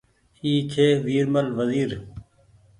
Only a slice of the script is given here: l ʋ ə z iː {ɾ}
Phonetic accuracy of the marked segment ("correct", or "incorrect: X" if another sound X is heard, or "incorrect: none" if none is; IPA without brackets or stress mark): correct